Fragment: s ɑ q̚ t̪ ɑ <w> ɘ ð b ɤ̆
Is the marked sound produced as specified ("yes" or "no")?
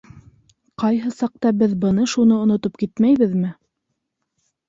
no